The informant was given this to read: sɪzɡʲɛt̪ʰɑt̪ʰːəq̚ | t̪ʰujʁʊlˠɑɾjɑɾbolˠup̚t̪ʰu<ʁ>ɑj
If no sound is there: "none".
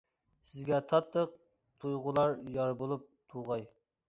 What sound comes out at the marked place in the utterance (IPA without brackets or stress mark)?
ʁ